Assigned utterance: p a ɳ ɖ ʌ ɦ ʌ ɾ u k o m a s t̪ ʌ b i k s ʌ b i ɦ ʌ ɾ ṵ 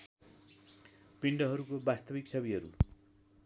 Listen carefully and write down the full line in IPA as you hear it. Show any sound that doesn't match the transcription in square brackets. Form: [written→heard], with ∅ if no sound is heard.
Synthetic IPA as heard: p [a→i] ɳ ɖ ʌ ɦ ʌ ɾ u k o [m→b] a s t̪ ʌ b i k s ʌ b i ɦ ʌ ɾ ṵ